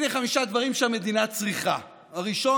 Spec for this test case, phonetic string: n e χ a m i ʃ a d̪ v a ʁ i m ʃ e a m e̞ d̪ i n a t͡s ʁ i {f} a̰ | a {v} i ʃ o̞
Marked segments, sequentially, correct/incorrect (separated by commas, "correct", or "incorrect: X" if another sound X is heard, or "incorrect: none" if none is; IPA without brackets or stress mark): incorrect: χ, incorrect: ʁ